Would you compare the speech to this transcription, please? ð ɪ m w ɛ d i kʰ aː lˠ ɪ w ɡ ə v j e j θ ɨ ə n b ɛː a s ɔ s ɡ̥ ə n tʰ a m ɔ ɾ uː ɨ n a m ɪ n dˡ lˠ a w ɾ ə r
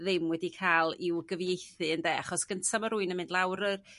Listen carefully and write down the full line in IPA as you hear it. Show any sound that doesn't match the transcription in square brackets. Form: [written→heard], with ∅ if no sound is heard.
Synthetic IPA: ð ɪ m w ɛ d i kʰ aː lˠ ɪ w ɡ ə v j e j θ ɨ ə n [b→d] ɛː a [s→χ] ɔ s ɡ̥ ə n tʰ a m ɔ ɾ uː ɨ n [a→ə] m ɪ n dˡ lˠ a w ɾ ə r